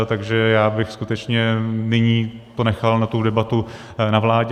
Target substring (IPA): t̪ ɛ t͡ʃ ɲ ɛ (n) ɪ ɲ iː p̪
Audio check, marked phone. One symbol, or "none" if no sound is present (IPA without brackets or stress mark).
n